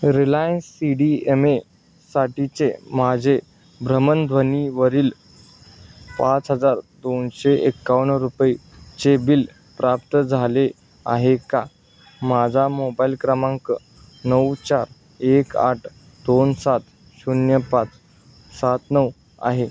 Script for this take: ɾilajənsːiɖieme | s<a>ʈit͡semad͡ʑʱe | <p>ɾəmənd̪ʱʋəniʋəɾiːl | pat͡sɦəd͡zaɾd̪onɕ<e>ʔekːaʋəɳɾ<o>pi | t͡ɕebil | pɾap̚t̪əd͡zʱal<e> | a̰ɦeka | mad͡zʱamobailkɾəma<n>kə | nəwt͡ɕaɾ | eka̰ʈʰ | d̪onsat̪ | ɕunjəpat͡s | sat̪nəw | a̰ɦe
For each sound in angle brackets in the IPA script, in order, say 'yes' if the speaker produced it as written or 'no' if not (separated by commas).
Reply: yes, no, yes, no, yes, no